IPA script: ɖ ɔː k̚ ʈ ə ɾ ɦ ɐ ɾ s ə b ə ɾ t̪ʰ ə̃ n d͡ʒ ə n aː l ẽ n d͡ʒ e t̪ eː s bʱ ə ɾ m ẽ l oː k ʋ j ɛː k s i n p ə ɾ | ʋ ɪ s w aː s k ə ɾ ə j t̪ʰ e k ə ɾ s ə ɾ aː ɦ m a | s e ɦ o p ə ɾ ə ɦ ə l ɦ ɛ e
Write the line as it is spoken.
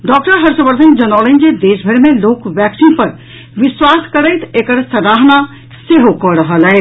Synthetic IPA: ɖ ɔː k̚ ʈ ə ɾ ɦ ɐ ɾ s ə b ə ɾ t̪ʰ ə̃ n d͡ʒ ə n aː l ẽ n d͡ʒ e d̪ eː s bʱ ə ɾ m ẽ l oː k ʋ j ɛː k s i n p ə ɾ | ʋ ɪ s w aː s k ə ɾ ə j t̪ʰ e k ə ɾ s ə ɾ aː ɦ n a | s e ɦ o k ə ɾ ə ɦ ə l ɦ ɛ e

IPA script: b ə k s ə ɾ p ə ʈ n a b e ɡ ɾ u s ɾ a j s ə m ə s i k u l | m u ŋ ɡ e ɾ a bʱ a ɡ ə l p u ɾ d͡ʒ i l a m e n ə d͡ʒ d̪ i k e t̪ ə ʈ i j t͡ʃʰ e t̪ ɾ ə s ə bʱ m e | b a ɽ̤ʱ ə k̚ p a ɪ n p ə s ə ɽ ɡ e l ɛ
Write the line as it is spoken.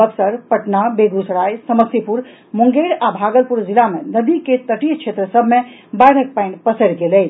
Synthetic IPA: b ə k s ə ɾ p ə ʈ n a b e ɡ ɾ u s ɾ a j s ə m ə s i p u ɾ | m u ŋ ɡ e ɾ a bʱ a ɡ ə l p u ɾ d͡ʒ i l a m e n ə d̪ i k e t̪ ə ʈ i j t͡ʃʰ e t̪ ɾ ə s ə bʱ m e | b a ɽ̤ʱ ə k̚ p a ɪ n p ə s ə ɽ ɡ e l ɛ

